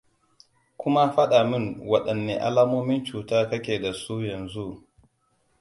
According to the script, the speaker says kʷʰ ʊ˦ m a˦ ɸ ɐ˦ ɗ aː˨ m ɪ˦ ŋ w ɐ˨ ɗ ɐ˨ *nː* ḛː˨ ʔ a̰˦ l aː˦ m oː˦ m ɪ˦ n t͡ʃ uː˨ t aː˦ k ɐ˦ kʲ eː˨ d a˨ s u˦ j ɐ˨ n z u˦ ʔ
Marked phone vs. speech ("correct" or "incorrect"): correct